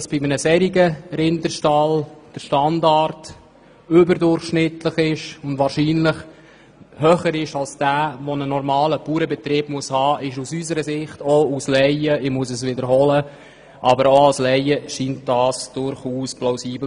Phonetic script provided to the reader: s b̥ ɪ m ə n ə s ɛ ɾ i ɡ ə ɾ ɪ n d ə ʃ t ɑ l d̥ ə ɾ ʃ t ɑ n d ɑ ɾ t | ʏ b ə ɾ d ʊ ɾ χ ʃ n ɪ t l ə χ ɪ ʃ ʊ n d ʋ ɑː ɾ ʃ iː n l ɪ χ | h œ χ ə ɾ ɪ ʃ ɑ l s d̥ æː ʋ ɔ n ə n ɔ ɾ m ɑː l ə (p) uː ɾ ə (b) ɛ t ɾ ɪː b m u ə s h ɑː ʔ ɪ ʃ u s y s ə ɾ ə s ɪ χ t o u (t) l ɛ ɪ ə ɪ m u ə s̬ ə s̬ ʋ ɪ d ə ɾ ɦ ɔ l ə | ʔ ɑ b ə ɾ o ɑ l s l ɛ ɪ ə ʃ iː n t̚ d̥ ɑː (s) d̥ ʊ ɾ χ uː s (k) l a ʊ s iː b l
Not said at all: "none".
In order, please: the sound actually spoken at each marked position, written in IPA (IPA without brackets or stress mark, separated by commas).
p, b, s, s, p